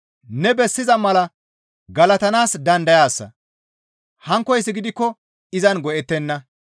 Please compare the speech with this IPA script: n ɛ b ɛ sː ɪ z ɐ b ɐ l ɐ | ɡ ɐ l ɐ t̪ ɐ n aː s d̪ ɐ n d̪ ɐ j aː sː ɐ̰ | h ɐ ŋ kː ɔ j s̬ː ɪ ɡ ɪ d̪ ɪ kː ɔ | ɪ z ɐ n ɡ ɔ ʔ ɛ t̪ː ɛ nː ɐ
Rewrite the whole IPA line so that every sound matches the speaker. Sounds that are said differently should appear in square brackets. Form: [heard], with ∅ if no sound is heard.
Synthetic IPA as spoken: n ɛ b ɛ sː ɪ z ɐ [m] ɐ l ɐ | ɡ ɐ l ɐ t̪ ɐ n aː s d̪ ɐ n d̪ ɐ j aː sː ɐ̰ | h ɐ ŋ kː ɔ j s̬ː ɪ ɡ ɪ d̪ ɪ kː ɔ | ɪ z ɐ n ɡ ɔ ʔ ɛ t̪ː ɛ nː ɐ